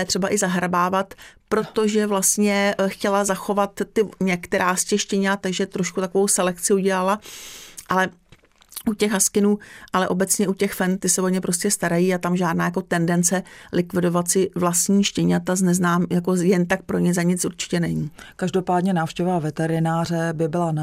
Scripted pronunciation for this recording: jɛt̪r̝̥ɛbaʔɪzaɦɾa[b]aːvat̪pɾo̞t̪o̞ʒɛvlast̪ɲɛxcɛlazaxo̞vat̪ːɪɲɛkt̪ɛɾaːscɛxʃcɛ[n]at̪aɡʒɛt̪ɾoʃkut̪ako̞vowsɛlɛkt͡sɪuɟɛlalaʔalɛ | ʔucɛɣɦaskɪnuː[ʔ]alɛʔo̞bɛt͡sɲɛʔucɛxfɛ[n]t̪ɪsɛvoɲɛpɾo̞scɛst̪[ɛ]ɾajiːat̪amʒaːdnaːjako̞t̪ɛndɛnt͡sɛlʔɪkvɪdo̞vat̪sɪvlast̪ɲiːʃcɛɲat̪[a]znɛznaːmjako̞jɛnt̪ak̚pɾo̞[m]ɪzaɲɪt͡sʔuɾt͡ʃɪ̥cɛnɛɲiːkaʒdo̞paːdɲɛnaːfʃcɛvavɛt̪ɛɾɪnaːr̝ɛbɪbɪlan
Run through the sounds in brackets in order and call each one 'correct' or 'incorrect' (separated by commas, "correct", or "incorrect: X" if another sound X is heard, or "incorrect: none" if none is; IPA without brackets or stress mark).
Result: correct, incorrect: ɲ, correct, correct, incorrect: a, correct, incorrect: ɲ